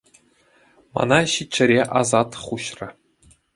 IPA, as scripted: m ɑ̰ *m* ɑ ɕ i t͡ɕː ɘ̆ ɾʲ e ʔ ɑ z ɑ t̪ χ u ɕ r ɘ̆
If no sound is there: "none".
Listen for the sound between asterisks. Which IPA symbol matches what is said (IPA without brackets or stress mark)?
n